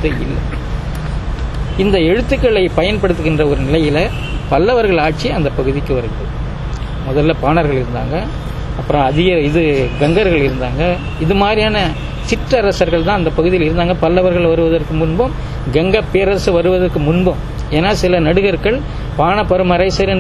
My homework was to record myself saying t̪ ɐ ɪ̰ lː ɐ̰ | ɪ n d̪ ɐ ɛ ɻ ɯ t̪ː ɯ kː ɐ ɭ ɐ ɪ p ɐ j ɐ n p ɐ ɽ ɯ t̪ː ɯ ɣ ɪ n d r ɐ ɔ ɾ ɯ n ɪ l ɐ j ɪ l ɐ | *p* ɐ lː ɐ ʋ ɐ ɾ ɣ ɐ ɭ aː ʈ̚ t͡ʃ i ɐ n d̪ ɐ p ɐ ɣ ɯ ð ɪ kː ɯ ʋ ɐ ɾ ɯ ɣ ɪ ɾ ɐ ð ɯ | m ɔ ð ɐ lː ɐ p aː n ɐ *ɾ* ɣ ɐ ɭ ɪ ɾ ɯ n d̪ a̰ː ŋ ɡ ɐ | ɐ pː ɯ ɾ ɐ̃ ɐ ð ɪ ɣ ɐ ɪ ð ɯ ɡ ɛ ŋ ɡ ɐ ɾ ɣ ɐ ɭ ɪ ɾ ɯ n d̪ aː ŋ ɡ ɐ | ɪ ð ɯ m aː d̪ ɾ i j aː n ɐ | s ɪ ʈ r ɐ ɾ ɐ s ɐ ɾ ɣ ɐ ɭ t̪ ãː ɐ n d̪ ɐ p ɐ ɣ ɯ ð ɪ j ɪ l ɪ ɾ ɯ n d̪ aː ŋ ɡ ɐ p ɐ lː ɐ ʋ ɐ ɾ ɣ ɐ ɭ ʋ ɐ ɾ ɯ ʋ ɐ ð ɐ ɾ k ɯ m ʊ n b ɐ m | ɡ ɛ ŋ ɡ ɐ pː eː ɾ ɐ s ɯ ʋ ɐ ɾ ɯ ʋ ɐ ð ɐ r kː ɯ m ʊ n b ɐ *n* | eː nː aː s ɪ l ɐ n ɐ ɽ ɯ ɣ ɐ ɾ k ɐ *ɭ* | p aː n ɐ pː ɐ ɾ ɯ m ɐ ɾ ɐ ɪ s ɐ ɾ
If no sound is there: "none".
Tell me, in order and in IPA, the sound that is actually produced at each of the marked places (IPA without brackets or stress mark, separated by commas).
p, ɾ, m, ɭ